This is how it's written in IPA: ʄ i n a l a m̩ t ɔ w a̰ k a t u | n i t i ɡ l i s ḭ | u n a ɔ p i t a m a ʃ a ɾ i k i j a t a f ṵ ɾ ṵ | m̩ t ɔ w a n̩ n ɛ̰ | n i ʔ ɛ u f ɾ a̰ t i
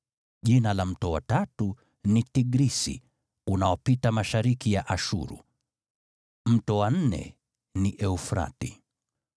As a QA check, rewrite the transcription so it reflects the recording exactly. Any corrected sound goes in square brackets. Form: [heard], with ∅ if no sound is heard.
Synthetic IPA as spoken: ʄ i n a l a m̩ t ɔ w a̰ [t] a t u | n i t i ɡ [ɾ] i s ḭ | u n a ɔ p i t a m a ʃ a ɾ i k i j a [ʔ] a [ʃ] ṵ ɾ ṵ | m̩ t ɔ w a n̩ n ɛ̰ | n i ʔ ɛ u f ɾ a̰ t i